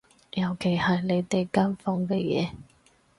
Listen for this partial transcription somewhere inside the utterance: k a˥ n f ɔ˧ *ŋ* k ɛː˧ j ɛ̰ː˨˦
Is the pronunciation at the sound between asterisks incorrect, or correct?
correct